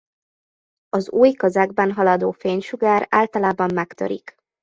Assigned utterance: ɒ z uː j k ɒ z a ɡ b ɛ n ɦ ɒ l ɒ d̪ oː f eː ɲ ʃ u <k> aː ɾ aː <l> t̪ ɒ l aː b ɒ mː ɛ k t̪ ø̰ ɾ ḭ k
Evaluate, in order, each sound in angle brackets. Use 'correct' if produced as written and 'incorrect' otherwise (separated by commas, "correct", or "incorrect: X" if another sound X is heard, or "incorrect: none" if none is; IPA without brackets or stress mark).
incorrect: ɡ, correct